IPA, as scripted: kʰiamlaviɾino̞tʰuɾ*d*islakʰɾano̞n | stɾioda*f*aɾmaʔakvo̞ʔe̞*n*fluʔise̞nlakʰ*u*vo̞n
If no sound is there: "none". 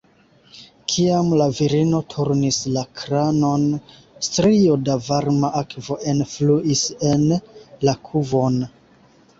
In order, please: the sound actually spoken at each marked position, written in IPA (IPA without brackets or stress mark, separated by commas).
n, v, n, u